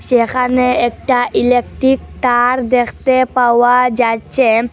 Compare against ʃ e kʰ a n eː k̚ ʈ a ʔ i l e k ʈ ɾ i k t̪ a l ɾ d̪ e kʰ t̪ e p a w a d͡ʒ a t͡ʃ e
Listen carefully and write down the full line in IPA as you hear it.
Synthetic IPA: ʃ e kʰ a n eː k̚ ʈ a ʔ i l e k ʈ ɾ i k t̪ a ɾ d̪ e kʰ t̪ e p a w a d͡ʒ a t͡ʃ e